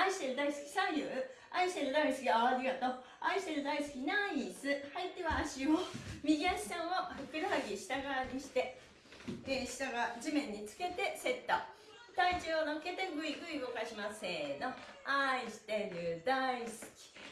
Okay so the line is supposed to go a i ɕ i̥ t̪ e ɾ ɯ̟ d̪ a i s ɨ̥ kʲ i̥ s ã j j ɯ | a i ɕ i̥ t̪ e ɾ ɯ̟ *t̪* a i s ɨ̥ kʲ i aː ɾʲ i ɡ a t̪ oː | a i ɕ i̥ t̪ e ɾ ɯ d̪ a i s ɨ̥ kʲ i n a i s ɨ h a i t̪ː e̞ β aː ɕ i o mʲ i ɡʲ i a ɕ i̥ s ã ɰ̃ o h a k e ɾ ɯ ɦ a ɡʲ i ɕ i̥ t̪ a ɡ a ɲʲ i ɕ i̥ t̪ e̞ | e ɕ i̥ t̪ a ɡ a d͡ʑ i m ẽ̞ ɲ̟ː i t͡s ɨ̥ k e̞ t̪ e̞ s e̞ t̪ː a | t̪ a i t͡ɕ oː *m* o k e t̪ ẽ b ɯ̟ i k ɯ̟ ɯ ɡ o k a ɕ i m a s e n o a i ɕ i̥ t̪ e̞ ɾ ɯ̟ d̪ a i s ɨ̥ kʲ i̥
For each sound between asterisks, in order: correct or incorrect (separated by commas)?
incorrect, incorrect